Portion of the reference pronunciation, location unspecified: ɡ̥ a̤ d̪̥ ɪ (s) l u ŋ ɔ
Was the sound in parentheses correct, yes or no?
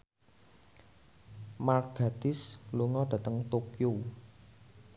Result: yes